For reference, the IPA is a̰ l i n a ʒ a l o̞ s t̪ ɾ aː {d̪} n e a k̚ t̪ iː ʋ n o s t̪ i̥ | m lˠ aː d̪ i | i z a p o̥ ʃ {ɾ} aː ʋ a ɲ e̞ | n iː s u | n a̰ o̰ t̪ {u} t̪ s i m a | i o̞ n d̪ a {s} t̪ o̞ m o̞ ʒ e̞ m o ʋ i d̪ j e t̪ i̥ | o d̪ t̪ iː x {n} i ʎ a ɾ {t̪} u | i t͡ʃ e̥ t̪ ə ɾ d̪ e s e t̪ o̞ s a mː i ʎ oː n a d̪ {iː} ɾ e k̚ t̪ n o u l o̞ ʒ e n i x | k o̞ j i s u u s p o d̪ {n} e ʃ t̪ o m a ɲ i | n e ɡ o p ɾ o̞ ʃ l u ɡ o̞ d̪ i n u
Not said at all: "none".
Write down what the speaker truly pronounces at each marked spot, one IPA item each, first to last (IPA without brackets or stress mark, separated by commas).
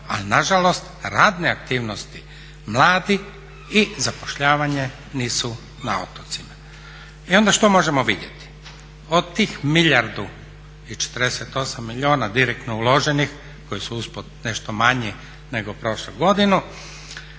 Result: d̪, ʎ, o, ʃ, m, d̪, i, n